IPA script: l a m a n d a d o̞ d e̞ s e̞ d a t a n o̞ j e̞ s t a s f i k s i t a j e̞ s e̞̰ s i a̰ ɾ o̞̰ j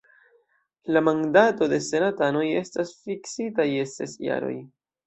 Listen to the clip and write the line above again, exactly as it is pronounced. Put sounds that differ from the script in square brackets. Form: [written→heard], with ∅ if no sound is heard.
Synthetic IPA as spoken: l a m a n d a [d→t] o̞ d e̞ s e̞ [d→n] a t a n o̞ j e̞ s t a s f i k s i t a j e̞ s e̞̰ s [i→j] a̰ ɾ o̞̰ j